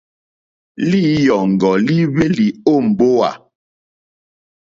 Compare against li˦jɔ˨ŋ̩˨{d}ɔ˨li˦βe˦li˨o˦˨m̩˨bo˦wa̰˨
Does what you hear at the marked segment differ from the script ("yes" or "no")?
yes